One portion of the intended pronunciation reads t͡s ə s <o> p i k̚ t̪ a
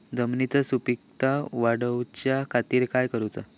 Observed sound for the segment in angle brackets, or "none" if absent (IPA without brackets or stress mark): u